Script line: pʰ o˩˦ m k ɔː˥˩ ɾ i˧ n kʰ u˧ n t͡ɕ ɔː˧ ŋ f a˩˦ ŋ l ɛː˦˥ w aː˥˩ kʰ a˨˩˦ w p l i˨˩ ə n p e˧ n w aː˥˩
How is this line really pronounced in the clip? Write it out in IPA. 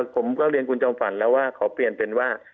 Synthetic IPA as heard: pʰ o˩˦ m k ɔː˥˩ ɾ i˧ n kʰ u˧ n t͡ɕ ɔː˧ m f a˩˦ n l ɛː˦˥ w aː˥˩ kʰ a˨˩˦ w p l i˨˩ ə n p e˧ n w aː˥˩